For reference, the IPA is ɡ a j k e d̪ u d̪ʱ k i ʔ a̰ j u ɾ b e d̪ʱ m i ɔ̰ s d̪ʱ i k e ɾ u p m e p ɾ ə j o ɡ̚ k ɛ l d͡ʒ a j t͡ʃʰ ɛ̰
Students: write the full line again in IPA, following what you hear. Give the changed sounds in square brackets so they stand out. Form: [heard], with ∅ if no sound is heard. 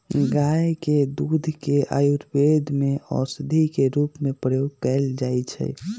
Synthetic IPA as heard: ɡ a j k e d̪ u d̪ʱ k [e] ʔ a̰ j u ɾ b e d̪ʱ m [e] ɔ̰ s d̪ʱ i k e ɾ u p m e p ɾ ə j o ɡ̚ k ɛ l d͡ʒ a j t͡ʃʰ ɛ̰